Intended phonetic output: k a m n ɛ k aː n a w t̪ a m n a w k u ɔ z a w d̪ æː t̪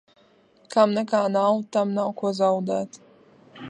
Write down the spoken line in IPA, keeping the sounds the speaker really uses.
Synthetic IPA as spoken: k a m n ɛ k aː n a w t̪ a m n a w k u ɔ z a w d̪ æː t̪